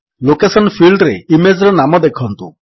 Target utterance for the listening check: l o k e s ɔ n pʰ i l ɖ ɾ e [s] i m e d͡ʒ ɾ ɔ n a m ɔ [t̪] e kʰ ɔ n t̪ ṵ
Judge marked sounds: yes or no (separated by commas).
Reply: no, no